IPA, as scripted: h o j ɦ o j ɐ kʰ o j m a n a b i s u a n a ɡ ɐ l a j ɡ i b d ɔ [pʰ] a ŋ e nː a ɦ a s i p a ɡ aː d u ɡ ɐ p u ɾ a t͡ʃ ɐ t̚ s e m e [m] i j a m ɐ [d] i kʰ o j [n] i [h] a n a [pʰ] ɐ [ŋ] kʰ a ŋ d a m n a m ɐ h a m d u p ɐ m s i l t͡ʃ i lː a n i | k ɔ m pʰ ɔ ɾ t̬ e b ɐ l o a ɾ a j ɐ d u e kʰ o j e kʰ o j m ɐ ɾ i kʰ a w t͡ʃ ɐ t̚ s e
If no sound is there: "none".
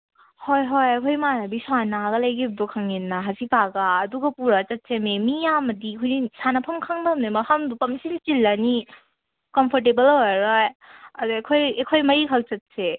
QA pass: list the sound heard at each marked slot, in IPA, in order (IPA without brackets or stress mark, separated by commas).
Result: kʰ, m, d, n, s, pʰ, m